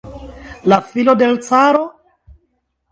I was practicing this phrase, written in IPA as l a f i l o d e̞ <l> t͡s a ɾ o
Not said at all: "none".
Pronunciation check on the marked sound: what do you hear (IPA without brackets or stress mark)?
l